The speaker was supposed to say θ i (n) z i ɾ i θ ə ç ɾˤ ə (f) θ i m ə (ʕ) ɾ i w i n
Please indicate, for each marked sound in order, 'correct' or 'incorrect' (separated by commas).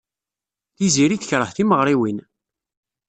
incorrect, incorrect, incorrect